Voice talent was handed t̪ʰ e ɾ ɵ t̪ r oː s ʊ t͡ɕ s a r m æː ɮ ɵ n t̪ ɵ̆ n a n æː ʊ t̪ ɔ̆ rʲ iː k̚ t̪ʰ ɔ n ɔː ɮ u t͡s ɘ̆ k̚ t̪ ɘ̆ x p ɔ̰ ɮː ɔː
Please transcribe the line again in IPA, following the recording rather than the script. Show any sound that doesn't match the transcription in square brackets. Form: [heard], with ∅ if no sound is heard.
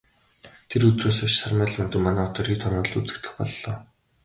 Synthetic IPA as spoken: t̪ʰ e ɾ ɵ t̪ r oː s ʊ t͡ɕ s a r m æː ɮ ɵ n t̪ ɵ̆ [m] a n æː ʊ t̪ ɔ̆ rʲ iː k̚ t̪ʰ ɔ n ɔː ɮ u t͡s ɘ̆ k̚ t̪ ɘ̆ x p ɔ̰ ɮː ɔː

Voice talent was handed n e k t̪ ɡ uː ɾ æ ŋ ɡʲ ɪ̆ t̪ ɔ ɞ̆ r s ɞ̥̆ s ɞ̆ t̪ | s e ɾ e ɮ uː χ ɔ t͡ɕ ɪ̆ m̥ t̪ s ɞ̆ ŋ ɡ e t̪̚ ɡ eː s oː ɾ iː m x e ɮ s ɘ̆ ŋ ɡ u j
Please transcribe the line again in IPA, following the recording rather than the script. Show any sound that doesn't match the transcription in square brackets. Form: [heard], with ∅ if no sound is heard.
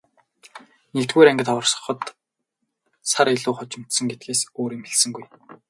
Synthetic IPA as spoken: n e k t̪ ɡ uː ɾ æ ŋ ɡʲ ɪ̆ t̪ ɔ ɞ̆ r s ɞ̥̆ [χ] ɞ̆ t̪ | s [a] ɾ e ɮ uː χ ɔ t͡ɕ ɪ̆ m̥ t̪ s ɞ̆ ŋ ɡ e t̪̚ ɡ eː s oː ɾ iː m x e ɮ s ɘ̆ ŋ ɡ u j

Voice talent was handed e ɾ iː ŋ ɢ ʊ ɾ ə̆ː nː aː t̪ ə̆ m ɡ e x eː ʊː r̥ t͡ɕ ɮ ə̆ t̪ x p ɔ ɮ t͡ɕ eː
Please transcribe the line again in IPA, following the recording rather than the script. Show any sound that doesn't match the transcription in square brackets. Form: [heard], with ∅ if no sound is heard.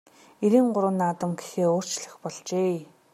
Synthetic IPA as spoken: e ɾ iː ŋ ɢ ʊ ɾ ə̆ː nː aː t̪ ə̆ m ɡ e x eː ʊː r̥ t͡ɕ ɮ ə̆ [∅] x p ɔ ɮ t͡ɕ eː

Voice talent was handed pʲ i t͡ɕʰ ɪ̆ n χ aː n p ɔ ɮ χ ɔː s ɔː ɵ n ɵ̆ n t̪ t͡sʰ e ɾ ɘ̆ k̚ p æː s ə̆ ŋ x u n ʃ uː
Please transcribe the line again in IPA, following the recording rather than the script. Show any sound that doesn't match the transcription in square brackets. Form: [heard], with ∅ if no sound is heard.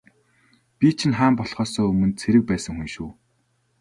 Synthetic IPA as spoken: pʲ i t͡ɕʰ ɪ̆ n χ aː [m] p ɔ ɮ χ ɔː s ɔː ɵ [m] ɵ̆ n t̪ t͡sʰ e ɾ ɘ̆ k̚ p æː s ə̆ ŋ x u n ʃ uː

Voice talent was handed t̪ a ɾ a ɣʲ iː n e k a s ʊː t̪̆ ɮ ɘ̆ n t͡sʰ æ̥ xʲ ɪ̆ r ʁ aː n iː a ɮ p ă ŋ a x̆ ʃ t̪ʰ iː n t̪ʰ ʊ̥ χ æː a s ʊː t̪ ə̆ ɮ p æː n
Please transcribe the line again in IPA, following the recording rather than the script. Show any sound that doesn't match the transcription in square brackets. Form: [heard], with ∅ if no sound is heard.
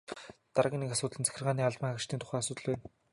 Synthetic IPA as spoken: t̪ a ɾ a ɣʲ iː n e k a s ʊː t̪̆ ɮ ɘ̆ n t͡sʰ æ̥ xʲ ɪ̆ r ʁ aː n iː a ɮ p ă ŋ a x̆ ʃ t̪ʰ iː n [t̪] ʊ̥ χ æː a s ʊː t̪ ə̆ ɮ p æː n

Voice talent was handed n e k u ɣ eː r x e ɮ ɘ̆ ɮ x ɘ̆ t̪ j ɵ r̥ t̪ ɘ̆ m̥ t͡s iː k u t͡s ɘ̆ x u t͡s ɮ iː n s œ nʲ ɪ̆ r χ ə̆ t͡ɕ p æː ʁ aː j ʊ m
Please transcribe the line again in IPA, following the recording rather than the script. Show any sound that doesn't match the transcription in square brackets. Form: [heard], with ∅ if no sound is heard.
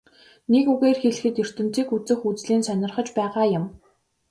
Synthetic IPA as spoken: n e k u ɣ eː r x e ɮ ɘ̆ [∅] x ɘ̆ t̪ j ɵ r̥ t̪ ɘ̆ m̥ t͡s iː k u t͡s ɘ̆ x u t͡s ɮ iː n s œ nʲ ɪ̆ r χ ə̆ t͡ɕ p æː ʁ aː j ʊ m

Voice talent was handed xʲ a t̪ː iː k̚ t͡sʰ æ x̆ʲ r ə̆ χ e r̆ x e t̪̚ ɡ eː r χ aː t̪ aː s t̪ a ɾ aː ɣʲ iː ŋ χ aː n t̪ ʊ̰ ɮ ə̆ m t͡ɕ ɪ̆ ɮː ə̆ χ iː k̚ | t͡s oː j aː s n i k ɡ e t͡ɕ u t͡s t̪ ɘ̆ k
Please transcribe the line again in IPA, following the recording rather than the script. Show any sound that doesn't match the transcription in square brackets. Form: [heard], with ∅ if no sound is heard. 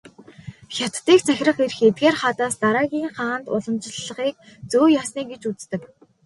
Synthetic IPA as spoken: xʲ a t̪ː iː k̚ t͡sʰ æ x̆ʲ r ə̆ χ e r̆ x e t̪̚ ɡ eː r χ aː t̪ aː s t̪ a ɾ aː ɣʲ iː ŋ χ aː n t̪ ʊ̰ ɮ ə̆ m t͡ɕ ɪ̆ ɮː ə̆ χ iː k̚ | t͡s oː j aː s n [iː] k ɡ e t͡ɕ u t͡s t̪ ɘ̆ k

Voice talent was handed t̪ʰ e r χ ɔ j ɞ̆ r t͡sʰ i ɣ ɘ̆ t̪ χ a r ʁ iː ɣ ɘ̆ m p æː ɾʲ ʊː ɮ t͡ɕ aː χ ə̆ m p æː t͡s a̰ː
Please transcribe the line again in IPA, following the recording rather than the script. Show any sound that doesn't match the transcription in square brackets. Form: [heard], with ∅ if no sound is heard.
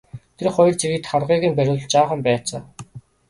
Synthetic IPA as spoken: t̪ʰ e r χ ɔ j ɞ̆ r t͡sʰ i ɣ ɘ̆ t̪ χ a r ʁ iː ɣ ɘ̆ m p [æ] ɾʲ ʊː ɮ t͡ɕ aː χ ə̆ m p æː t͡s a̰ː

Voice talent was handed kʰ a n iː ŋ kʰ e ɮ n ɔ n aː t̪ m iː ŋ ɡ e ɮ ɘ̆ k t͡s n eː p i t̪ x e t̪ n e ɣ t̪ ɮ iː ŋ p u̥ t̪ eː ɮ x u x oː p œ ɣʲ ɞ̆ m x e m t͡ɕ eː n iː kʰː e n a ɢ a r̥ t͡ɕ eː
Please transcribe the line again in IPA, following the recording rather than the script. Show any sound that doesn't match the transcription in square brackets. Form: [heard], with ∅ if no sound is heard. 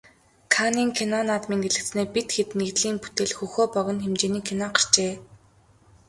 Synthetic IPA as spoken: kʰ a n iː ŋ kʰ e [∅] n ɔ n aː t̪ m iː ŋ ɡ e ɮ ɘ̆ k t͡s n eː p i t̪ x e t̪ n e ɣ t̪ ɮ iː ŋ p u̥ t̪ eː ɮ x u x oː p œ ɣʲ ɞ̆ [n] x e m t͡ɕ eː n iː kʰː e n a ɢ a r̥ t͡ɕ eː

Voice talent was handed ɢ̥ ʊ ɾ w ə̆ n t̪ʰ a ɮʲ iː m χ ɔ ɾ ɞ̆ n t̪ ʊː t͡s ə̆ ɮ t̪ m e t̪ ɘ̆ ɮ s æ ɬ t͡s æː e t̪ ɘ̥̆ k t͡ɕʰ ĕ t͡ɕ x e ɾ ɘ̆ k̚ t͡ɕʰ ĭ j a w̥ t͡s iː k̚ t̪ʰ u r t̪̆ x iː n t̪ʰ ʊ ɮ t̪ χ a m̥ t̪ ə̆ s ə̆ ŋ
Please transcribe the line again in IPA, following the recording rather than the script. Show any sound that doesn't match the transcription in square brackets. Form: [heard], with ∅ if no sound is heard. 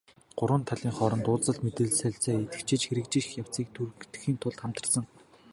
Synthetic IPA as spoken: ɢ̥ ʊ ɾ w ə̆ n t̪ʰ a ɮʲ iː [ŋ] χ ɔ ɾ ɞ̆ n t̪ ʊː t͡s ə̆ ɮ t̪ m e t̪ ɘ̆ ɮ s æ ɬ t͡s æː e t̪ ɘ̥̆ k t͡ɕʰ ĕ t͡ɕ x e ɾ ɘ̆ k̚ [t͡ɕ] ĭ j a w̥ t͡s iː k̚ t̪ʰ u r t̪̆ x iː n t̪ʰ ʊ ɮ t̪ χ a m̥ t̪ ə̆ s ə̆ ŋ

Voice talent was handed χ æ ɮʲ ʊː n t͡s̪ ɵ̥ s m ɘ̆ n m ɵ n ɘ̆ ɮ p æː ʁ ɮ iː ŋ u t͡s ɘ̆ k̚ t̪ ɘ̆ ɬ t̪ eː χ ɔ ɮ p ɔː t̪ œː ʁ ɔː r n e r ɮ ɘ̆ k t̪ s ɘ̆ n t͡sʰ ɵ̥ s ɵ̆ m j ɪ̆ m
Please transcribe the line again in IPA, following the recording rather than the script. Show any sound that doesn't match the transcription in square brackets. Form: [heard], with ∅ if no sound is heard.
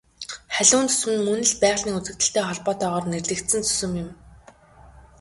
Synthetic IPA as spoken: χ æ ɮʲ ʊː n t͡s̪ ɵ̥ s m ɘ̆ n m ɵ n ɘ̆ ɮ p æː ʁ ɮ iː ŋ u t͡s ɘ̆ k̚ t̪ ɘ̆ ɬ t̪ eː χ ɔ ɮ p ɔː t̪ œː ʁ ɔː r n e r ɮ ɘ̆ k t̪ s ɘ̆ n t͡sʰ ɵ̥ s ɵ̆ m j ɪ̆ m

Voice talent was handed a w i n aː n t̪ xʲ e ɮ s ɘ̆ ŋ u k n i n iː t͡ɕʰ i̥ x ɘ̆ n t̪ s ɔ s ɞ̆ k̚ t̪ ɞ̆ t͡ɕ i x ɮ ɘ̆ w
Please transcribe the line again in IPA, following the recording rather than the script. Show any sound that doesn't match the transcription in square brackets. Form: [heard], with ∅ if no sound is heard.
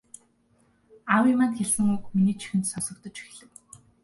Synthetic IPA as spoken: a w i [m] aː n t̪ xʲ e ɮ s ɘ̆ ŋ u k [m] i n iː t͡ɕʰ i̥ x ɘ̆ n t̪ s ɔ s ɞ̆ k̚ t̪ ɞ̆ t͡ɕ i x ɮ ɘ̆ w

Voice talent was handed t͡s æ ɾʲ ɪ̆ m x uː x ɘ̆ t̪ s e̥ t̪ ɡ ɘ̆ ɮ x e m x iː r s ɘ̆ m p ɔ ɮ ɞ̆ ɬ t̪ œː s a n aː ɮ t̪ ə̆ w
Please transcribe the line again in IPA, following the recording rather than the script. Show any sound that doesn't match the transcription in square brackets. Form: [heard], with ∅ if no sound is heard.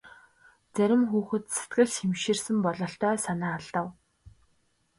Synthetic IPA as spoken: t͡s æ ɾʲ ɪ̆ m x uː x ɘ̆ t̪ s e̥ t̪ ɡ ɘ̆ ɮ x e m [ʃ] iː r s ɘ̆ m p ɔ ɮ ɞ̆ ɬ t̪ œː s a n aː ɮ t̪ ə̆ w

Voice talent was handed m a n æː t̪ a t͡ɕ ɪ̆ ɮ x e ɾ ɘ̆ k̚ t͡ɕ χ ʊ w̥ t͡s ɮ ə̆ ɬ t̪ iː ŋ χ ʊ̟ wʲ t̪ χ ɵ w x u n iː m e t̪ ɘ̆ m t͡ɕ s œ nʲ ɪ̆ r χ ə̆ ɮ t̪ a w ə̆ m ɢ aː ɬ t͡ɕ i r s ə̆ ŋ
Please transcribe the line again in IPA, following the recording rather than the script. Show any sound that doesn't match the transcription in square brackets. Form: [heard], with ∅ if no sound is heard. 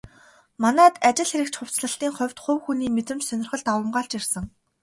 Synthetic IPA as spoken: m a n æː t̪ a t͡ɕ ɪ̆ ɮ x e ɾ ɘ̆ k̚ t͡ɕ χ ʊ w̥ t͡s ɮ ə̆ ɬ t̪ iː ŋ χ ʊ̟ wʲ t̪ χ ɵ w x u n iː m e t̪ ɘ̆ m t͡ɕ s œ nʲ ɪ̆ r χ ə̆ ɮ t̪ a w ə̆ m ɢ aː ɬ t͡ɕ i r s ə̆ ŋ

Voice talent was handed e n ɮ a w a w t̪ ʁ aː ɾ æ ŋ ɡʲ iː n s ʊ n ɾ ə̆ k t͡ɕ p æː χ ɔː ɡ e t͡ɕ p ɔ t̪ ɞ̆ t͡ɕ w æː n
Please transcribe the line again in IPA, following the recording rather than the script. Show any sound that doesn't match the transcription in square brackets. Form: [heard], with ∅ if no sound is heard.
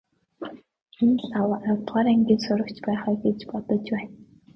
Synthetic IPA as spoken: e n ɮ a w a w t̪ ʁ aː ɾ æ ŋ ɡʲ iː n s ʊ [∅] ɾ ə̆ k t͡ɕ p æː χ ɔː ɡ e t͡ɕ p ɔ t̪ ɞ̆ t͡ɕ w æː n

